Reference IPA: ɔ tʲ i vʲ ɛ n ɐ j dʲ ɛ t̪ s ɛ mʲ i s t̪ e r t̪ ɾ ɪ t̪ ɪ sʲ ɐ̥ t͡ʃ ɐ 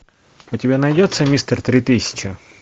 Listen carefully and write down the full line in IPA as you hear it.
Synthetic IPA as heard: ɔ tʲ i bʲ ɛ n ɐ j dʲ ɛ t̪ s ɛ mʲ i s t̪ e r t̪ ɾ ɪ t̪ ɪ sʲ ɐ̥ t͡ʃ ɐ